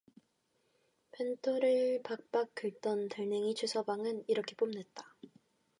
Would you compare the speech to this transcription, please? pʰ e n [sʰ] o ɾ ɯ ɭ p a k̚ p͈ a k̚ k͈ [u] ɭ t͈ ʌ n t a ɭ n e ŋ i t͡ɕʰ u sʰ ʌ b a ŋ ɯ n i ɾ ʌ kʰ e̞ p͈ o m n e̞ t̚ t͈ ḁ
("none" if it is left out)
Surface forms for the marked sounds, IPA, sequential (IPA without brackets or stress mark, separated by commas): tʰ, ɯ